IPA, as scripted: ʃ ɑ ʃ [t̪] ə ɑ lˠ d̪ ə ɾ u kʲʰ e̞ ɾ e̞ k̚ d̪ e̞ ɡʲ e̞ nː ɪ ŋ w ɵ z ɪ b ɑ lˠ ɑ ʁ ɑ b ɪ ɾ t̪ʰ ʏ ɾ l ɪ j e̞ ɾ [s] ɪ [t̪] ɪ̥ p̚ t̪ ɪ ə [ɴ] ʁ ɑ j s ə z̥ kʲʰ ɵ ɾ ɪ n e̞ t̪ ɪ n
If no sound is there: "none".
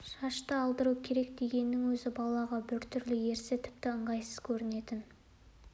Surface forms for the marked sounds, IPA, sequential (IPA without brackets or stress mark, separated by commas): t̪, s, t̪ʰ, ɴ